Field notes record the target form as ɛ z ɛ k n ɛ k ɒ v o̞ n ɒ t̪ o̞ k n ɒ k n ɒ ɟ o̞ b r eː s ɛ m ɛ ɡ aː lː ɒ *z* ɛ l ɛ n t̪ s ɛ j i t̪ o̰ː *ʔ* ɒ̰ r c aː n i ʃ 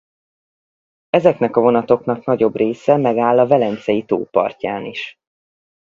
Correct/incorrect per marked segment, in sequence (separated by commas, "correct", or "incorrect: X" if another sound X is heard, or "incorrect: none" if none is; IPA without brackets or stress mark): incorrect: v, incorrect: p